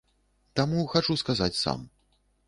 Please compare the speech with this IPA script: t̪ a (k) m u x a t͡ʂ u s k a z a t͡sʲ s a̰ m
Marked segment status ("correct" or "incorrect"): incorrect